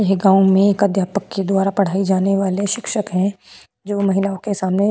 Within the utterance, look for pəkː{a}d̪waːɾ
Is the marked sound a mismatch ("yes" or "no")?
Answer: yes